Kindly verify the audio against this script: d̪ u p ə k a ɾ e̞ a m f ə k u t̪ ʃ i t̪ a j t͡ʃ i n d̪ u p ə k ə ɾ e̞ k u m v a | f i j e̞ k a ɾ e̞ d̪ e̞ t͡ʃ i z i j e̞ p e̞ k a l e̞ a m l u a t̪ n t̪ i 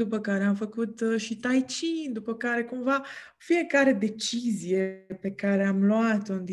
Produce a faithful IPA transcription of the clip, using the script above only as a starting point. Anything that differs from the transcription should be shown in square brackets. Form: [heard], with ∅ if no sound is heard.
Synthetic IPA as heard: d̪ u p ə k a ɾ e̞ a m f ə k u t̪ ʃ i t̪ a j t͡ʃ i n d̪ u p ə k [a] ɾ e̞ k u m v a | f i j e̞ k a ɾ e̞ d̪ e̞ t͡ʃ i z i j e̞ p e̞ k a [ɾ] e̞ a m l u a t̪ n [d̪] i